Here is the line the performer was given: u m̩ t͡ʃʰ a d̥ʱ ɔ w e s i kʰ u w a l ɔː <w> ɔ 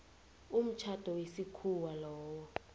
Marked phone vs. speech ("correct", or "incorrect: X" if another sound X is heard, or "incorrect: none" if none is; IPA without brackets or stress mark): correct